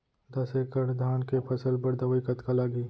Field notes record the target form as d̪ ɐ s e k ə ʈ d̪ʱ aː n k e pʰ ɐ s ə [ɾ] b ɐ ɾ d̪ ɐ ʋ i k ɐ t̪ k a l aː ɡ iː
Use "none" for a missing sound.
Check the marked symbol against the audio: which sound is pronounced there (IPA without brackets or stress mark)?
l